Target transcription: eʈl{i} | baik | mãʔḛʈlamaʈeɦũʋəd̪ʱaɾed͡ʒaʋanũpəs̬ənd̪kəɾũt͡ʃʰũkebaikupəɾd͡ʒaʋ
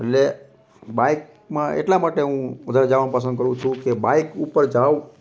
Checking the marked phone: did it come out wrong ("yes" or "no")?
yes